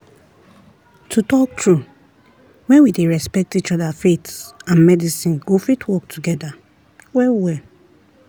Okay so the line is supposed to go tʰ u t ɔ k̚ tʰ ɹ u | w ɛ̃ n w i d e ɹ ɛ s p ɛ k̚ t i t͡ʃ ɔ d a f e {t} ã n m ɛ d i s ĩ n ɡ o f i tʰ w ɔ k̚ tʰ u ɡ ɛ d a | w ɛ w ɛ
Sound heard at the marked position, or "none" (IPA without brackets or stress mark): t